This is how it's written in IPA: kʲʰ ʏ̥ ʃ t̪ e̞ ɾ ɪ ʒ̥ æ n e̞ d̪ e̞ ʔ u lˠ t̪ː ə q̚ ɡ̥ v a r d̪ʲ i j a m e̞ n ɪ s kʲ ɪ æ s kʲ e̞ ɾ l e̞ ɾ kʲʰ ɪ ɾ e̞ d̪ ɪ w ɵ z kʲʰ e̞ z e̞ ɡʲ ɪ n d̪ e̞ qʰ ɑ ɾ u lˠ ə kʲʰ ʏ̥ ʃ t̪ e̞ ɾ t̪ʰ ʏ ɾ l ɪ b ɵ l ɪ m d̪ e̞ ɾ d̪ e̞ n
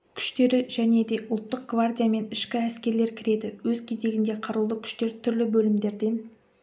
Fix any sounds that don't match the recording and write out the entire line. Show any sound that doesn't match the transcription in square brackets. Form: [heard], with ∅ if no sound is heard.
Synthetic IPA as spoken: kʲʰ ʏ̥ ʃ t̪ e̞ ɾ ɪ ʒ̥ æ n e̞ d̪ e̞ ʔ [ʊ] lˠ t̪ː ə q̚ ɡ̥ v a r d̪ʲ i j a m e̞ n ɪ [ʃ] kʲ ɪ æ s kʲ e̞ ɾ l e̞ ɾ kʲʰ ɪ ɾ e̞ d̪ ɪ w ɵ z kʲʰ e̞ z e̞ ɡʲ ɪ n d̪ e̞ qʰ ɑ ɾ u lˠ ə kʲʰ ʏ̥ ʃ t̪ e̞ ɾ t̪ʰ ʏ ɾ l ɪ b ɵ l ɪ m d̪ e̞ ɾ d̪ e̞ n